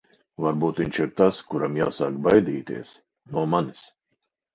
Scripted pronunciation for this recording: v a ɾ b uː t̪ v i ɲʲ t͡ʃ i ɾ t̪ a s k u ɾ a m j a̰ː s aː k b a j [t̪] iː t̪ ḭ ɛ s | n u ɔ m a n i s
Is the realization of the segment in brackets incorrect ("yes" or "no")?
yes